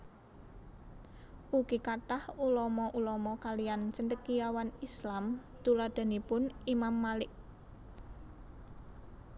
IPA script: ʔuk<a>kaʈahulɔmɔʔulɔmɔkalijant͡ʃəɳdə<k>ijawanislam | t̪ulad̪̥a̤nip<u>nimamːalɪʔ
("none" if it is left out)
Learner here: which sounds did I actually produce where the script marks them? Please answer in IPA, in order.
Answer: i, k, ʊ

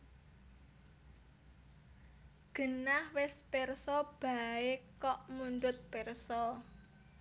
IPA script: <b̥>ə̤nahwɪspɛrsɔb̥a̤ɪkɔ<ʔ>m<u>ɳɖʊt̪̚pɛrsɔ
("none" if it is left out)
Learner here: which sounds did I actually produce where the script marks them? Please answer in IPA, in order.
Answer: ɡ̥, ʔ, u

